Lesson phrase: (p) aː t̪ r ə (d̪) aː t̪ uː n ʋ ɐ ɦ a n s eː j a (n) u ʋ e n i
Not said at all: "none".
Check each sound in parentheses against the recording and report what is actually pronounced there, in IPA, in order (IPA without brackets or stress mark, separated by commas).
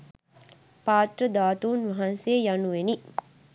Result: p, d̪, n